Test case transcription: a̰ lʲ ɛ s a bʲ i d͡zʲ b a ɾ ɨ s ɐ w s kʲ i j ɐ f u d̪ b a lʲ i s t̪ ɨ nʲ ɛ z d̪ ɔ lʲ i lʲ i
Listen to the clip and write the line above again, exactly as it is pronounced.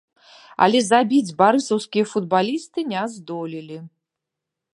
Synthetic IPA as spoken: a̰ lʲ ɛ z a bʲ i d͡zʲ b a ɾ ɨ s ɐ w s kʲ i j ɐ f u d̪ b a lʲ i s t̪ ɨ nʲ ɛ z d̪ ɔ lʲ i lʲ i